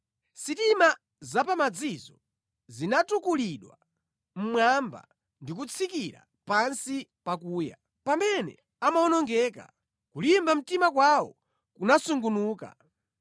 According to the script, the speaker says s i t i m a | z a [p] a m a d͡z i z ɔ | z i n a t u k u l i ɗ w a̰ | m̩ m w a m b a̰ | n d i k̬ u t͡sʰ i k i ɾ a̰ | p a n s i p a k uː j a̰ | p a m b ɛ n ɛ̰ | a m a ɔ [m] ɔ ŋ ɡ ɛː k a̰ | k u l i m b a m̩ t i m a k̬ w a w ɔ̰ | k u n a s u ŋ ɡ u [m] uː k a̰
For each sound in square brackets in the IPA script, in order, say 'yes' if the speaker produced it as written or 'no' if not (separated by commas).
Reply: yes, no, no